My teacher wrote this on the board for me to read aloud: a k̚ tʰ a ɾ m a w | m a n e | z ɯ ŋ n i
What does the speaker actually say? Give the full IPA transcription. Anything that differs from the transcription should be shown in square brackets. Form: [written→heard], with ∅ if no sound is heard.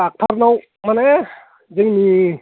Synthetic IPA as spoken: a k̚ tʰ a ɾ [m→n] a w | m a n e | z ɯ ŋ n i